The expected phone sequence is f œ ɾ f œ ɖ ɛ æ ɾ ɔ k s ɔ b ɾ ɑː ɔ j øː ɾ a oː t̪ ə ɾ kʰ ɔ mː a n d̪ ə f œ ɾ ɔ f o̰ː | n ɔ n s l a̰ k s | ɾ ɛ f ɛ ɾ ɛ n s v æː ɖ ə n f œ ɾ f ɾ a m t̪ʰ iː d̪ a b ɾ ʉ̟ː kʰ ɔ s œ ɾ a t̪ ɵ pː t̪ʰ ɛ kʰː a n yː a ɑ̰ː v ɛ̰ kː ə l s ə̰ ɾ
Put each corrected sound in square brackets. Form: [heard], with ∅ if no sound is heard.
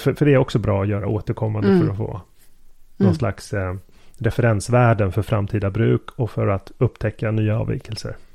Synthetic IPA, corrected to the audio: f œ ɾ f œ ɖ ɛ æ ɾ ɔ k s ɔ b ɾ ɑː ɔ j [œː] ɾ a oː t̪ ə ɾ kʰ ɔ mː a n d̪ ə f œ ɾ ɔ f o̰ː | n ɔ n s l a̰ k s | ɾ ɛ f ɛ ɾ ɛ n s v æː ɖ ə n f œ ɾ f ɾ a m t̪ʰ iː d̪ a b ɾ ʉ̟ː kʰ ɔ [f] œ ɾ a t̪ ɵ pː t̪ʰ ɛ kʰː a n yː a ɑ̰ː v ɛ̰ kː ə l s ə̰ ɾ